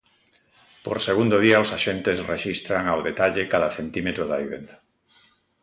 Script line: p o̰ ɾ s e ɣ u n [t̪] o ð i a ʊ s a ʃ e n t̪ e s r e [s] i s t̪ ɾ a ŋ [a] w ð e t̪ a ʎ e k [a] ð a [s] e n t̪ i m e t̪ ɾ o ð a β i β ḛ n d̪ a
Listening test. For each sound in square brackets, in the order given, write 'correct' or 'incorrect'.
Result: incorrect, incorrect, correct, correct, incorrect

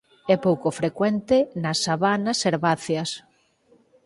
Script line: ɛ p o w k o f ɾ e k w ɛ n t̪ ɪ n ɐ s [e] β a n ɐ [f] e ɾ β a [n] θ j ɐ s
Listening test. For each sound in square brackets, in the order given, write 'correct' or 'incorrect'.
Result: incorrect, incorrect, incorrect

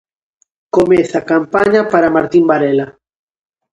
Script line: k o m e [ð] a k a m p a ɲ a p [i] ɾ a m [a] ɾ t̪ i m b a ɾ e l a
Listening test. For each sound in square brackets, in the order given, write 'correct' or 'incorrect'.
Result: incorrect, incorrect, correct

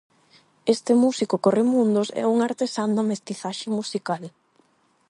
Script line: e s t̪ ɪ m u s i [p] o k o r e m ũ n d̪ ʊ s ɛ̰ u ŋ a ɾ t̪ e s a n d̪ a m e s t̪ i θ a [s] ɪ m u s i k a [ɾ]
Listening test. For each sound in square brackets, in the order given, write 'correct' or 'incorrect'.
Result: incorrect, incorrect, incorrect

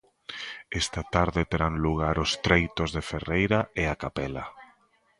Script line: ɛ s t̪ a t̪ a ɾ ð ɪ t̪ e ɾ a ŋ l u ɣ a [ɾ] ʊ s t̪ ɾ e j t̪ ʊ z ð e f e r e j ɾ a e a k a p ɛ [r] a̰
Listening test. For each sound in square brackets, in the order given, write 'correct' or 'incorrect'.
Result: correct, incorrect

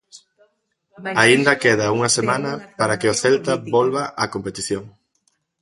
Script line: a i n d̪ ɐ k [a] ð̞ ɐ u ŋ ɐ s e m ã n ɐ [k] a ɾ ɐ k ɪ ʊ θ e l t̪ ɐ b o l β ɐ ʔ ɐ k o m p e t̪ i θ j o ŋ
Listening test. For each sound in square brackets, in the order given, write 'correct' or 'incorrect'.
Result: incorrect, incorrect

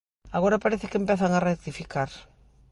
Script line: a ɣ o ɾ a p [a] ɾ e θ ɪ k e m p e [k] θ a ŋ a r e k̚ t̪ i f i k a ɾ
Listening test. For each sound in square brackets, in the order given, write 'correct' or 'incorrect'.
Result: correct, incorrect

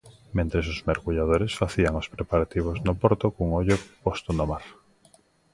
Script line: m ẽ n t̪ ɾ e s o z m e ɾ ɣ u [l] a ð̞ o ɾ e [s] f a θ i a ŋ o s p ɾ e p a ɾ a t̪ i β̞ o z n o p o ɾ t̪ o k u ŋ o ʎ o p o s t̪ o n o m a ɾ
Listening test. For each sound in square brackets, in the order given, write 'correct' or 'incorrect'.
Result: incorrect, correct

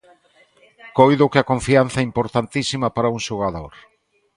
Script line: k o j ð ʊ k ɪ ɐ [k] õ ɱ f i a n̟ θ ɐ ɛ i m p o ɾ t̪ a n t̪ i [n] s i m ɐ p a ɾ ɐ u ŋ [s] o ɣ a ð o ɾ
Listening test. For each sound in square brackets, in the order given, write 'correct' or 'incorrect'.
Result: correct, incorrect, incorrect

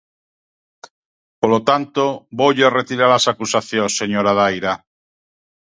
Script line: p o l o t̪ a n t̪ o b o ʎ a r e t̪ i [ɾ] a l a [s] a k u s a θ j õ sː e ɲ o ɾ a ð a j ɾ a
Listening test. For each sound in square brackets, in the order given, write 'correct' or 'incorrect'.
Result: correct, correct

